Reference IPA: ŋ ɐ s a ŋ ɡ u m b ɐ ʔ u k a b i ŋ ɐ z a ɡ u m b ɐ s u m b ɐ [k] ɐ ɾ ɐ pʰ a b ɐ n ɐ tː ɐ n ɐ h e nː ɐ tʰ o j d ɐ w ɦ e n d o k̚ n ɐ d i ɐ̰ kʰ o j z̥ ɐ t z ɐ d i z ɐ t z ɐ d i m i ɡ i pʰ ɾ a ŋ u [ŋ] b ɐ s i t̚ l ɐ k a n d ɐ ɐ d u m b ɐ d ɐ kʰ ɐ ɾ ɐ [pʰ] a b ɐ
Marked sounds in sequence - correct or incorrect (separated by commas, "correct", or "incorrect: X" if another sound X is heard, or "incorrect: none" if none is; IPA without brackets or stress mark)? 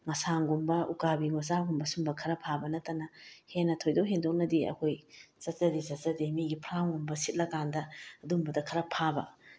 incorrect: kʰ, incorrect: m, correct